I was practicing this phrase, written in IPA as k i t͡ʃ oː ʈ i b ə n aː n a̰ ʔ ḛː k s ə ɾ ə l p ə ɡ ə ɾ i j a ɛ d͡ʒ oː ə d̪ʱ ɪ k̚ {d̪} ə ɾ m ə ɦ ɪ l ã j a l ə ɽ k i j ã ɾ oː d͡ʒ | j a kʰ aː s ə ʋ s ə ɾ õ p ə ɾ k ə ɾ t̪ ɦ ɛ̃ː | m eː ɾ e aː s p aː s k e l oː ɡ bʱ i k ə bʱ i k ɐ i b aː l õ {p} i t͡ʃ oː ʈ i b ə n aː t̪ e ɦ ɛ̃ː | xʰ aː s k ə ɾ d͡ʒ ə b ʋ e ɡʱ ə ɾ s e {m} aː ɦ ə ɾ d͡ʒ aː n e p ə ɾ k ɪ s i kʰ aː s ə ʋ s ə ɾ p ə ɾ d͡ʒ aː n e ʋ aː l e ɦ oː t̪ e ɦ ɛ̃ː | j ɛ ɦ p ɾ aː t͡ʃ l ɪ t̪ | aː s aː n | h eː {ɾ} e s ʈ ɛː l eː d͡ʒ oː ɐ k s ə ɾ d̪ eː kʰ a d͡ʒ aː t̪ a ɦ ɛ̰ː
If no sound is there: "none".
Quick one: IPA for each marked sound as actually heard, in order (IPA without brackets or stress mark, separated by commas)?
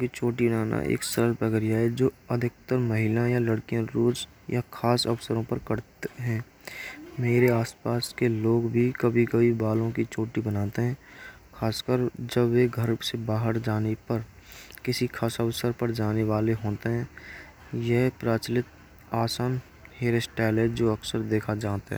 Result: t̪, k, b, ɾ